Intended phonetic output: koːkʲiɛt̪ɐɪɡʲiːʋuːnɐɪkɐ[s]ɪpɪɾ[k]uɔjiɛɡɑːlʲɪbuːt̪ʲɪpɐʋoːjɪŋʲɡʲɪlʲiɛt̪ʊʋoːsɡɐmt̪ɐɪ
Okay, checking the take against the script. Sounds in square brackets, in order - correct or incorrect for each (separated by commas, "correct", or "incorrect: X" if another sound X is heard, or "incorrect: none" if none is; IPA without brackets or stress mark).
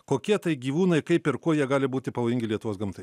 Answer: incorrect: none, correct